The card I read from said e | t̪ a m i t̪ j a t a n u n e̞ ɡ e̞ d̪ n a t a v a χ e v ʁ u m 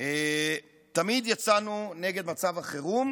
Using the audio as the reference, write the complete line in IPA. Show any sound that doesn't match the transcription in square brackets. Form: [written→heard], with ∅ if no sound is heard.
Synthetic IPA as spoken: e | t̪ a m i [t̪→d̪] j a [t→t͡s] a n u n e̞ ɡ e̞ d̪ [n→m] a [t→t͡s] a v a χ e [v→∅] ʁ u m